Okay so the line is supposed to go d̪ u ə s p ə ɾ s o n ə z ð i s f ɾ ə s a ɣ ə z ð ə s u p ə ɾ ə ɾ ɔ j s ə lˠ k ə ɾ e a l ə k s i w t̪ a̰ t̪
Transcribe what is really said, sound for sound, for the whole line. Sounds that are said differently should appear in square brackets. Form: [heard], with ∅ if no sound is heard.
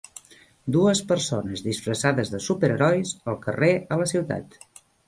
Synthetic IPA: d̪ u ə s p ə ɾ s o n ə z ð i s f ɾ ə s a [ð] ə z ð ə s u p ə ɾ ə ɾ ɔ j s ə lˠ k ə [r] e [ə] l ə [∅] s i w t̪ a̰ t̪